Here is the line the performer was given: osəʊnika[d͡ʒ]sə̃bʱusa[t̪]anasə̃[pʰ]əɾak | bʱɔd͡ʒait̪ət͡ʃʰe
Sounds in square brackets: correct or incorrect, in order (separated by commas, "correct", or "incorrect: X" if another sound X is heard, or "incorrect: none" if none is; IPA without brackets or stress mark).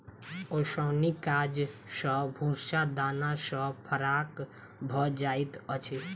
correct, incorrect: d̪, correct